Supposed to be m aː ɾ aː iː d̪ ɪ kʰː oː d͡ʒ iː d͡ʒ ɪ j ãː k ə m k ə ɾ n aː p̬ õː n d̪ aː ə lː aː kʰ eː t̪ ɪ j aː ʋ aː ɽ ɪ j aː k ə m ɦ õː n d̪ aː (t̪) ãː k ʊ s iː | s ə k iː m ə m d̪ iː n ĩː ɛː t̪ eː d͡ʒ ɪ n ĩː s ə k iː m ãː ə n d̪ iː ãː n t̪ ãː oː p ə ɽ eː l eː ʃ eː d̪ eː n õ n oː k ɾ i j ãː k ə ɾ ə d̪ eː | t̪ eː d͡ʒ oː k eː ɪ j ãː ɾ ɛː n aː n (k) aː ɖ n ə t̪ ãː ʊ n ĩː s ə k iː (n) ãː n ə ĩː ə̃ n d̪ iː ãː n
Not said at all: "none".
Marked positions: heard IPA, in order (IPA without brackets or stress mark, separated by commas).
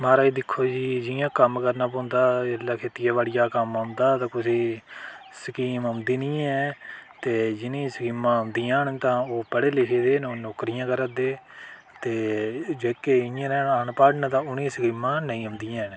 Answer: t̪, p, m